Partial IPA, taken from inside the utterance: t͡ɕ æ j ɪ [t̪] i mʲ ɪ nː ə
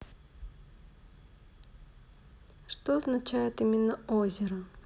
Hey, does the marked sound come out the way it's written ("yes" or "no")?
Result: yes